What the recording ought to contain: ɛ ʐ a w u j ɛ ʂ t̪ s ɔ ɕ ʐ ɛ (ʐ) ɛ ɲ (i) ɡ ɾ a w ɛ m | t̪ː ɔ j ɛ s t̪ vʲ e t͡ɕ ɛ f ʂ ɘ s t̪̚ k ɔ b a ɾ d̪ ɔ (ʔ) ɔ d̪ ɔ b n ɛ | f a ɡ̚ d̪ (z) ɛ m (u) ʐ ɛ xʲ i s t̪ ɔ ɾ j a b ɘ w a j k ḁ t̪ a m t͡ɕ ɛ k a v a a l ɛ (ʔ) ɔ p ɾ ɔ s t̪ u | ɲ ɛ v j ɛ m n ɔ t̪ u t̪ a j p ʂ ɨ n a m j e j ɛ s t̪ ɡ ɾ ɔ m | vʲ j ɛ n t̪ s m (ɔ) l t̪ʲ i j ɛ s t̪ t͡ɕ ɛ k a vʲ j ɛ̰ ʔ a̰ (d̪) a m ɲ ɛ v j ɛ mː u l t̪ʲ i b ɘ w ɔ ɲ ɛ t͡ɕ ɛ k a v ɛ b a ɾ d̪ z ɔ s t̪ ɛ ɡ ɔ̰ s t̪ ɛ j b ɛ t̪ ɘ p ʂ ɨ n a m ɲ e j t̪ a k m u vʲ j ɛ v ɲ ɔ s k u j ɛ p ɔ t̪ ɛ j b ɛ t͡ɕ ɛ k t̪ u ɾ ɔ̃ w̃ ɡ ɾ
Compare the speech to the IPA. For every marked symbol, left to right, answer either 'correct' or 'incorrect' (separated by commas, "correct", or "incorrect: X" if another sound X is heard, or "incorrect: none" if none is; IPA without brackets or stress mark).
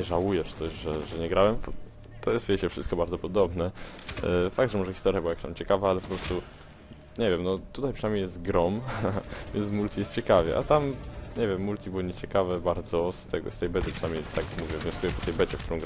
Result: correct, incorrect: ɛ, incorrect: p, incorrect: ʐ, incorrect: ɔ, incorrect: p, incorrect: u, incorrect: t̪